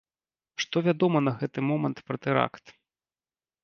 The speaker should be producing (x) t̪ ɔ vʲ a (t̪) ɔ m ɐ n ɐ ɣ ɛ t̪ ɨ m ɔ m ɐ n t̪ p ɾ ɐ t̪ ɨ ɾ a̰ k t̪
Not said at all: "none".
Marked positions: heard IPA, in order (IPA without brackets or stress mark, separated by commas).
ʂ, d̪